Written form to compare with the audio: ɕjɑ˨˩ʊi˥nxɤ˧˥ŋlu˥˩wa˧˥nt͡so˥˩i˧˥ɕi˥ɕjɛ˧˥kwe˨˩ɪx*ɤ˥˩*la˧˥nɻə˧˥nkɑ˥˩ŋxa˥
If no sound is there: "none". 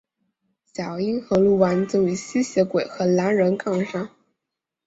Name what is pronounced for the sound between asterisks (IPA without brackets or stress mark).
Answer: ɤ˧˥